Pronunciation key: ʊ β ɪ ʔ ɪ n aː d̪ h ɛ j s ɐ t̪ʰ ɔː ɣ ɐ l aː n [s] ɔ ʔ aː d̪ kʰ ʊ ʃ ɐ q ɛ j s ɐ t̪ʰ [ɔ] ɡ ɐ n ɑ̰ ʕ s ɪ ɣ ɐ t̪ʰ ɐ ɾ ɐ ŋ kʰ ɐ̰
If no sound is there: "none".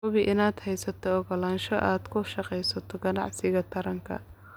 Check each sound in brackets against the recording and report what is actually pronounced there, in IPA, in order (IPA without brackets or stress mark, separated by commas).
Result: ʃ, ɔ